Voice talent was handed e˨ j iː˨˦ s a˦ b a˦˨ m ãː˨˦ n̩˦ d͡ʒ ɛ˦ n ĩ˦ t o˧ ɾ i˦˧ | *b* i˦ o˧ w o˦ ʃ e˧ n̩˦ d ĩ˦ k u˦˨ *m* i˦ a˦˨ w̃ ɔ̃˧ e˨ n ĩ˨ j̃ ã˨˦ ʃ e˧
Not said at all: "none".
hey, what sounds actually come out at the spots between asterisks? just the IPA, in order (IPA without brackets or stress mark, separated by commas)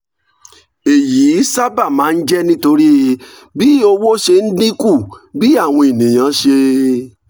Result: b, b